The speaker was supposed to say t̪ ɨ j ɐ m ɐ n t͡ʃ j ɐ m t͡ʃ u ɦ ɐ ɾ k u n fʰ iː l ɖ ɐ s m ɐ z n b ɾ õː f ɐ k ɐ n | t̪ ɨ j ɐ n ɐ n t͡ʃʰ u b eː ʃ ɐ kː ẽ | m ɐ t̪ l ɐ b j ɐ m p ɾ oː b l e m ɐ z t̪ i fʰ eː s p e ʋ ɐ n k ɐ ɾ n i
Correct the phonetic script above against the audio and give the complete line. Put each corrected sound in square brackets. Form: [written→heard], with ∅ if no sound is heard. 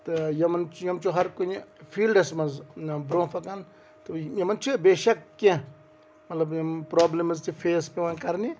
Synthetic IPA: t̪ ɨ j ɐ m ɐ n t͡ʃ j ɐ m t͡ʃ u ɦ ɐ ɾ k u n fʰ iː l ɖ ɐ s m ɐ z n b ɾ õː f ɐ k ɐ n | t̪ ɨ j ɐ [n→m] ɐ n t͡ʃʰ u b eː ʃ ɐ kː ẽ | m ɐ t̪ l ɐ b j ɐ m p ɾ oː b l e m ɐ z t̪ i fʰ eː s p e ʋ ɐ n k ɐ ɾ n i

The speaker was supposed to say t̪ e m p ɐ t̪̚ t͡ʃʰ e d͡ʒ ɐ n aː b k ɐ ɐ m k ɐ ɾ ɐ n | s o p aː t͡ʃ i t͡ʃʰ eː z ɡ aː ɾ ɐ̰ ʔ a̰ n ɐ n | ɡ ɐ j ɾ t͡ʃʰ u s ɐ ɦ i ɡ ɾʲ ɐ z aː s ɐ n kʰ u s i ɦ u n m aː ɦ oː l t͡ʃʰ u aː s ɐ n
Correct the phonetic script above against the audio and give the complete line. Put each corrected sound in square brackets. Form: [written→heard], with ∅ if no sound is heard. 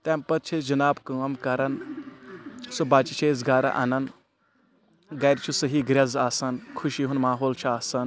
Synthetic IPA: t̪ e m p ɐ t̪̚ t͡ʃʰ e d͡ʒ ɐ n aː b k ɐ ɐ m k ɐ ɾ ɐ n | s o [p→b] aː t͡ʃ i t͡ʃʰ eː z ɡ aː ɾ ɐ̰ ʔ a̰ n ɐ n | ɡ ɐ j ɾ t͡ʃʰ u s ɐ ɦ i ɡ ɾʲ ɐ z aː s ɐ n kʰ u [s→ʃ] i ɦ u n m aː ɦ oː l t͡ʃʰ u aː s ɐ n

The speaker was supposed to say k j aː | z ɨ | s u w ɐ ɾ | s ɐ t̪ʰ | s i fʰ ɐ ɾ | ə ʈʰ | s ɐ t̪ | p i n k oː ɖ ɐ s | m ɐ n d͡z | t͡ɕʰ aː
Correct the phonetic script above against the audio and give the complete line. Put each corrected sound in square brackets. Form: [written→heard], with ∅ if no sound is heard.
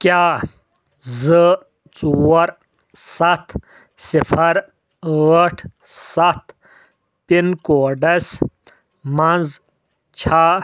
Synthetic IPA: k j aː | z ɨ | [s→t͡s] u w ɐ ɾ | s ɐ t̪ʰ | s i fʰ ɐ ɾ | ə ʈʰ | s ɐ t̪ | p i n k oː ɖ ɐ s | m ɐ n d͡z | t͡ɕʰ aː

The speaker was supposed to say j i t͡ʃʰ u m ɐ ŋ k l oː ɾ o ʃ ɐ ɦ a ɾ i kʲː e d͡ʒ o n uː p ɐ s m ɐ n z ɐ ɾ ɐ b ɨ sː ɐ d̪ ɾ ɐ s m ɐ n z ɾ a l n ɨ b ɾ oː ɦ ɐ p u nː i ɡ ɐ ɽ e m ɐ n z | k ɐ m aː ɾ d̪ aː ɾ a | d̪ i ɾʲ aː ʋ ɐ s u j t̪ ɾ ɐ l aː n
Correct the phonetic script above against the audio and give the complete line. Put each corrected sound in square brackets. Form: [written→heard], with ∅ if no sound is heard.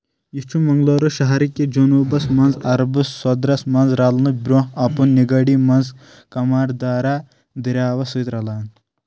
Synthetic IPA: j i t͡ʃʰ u m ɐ ŋ [k→ɡ] l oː ɾ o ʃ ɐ ɦ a ɾ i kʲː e d͡ʒ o n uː [p→b] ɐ s m ɐ n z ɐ ɾ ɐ b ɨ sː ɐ d̪ ɾ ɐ s m ɐ n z ɾ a l n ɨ b ɾ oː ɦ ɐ p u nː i ɡ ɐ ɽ [e→i] m ɐ n z | k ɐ m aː ɾ d̪ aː ɾ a | d̪ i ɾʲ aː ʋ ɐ s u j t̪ ɾ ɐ l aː n

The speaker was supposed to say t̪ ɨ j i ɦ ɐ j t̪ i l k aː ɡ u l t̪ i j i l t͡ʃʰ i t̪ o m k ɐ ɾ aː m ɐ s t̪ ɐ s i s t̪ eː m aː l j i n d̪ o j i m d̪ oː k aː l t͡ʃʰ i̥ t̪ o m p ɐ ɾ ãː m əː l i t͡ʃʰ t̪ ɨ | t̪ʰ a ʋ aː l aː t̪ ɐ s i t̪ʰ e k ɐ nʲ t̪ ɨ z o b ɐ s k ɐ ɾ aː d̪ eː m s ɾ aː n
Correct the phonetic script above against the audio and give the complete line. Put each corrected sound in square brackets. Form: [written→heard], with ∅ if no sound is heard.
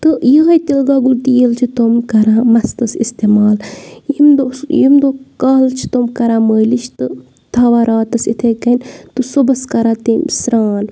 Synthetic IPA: t̪ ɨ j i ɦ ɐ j t̪ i l [k→ɡ] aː ɡ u l t̪ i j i l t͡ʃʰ i t̪ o m k ɐ ɾ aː m ɐ s t̪ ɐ s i s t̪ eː m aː l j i [n→m] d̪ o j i m d̪ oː k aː l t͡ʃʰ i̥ t̪ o m [p→k] ɐ ɾ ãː m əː l i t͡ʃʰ t̪ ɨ | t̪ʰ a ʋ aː [l→ɾ] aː t̪ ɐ s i t̪ʰ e k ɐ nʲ t̪ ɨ [z→s] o b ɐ s k ɐ ɾ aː [d̪→t̪] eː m s ɾ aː n

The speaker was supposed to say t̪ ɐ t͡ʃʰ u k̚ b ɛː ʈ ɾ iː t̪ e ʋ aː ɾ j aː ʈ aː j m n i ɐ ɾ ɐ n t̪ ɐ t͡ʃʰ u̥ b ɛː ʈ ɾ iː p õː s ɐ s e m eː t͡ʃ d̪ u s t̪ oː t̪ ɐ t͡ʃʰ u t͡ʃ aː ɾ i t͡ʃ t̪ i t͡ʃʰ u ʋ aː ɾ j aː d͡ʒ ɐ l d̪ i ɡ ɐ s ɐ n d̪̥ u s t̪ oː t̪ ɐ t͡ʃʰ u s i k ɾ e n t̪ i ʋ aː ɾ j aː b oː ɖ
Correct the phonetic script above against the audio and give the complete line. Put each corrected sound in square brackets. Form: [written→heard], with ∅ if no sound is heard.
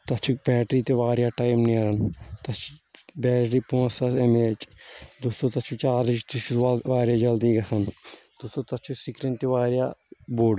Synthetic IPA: t̪ ɐ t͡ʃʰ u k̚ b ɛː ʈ ɾ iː t̪ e ʋ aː ɾ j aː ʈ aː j m n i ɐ ɾ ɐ n t̪ ɐ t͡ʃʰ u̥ b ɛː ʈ ɾ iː p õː s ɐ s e m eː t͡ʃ d̪ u s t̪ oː t̪ ɐ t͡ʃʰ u t͡ʃ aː ɾ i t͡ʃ t̪ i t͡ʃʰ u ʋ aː ɾ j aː d͡ʒ ɐ l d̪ i ɡ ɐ s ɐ n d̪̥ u s t̪ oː t̪ ɐ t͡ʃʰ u s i k ɾ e n t̪ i ʋ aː ɾ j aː b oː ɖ

